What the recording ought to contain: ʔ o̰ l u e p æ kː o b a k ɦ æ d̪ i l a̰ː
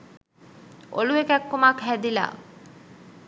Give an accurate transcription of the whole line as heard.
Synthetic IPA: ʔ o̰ l u e k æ kː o m a k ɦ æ d̪ i l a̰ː